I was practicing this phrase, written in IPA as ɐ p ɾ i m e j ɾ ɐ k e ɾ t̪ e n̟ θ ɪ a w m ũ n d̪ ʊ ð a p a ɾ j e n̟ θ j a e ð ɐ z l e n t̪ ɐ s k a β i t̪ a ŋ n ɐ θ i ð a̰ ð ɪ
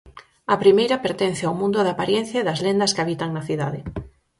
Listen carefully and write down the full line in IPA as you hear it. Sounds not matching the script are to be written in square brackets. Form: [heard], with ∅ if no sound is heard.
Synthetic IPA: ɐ p ɾ i m e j ɾ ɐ [p] e ɾ t̪ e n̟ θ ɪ a w m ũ n d̪ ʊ ð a p a ɾ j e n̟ θ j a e ð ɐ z l e n [d̪] ɐ s k a β i t̪ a ŋ n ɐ θ i ð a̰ ð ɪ